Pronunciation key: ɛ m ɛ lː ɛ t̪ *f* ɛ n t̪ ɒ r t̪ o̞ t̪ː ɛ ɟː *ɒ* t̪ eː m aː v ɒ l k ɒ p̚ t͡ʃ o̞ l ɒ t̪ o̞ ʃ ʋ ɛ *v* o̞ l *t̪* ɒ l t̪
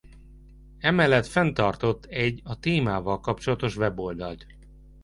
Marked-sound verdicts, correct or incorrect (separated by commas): correct, correct, incorrect, incorrect